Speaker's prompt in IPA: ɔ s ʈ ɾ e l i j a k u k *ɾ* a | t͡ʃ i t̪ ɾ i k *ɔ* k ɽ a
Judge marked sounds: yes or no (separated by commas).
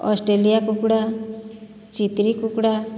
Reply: no, no